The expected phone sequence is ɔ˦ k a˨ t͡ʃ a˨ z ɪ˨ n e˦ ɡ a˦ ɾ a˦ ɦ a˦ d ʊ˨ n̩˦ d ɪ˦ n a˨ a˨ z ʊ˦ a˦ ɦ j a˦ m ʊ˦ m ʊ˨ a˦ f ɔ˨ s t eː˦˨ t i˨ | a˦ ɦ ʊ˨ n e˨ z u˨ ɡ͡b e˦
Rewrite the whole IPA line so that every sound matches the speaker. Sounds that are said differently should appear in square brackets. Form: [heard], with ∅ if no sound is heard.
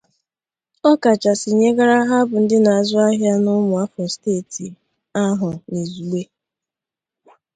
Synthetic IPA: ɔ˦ k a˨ t͡ʃ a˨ [s] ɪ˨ [ɲ] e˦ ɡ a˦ ɾ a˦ ɦ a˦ [b] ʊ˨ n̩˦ d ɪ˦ n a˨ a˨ z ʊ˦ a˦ ɦ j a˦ [n] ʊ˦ m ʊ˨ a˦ f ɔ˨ s t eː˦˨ t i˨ | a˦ ɦ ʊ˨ n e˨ z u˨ ɡ͡b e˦